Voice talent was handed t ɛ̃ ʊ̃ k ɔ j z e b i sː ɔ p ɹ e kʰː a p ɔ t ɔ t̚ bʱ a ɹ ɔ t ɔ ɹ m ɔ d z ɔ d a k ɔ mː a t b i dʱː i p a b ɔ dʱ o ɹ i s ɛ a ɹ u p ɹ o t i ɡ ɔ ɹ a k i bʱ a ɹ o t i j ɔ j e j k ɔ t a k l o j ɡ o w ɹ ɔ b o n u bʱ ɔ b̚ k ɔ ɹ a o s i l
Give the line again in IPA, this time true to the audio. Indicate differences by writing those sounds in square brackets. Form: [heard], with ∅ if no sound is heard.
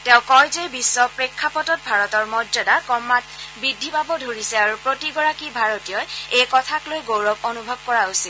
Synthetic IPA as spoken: t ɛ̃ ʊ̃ k ɔ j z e b i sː ɔ p ɹ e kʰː a p ɔ t ɔ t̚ bʱ a ɹ ɔ t ɔ ɹ m ɔ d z ɔ d a k ɔ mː a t b i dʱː i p a b ɔ dʱ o ɹ i s ɛ a ɹ u p ɹ o t i ɡ ɔ ɹ a k i bʱ a ɹ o t i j ɔ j e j k ɔ [tʰ] a k l o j ɡ o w ɹ ɔ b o n u bʱ ɔ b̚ k ɔ ɹ a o s i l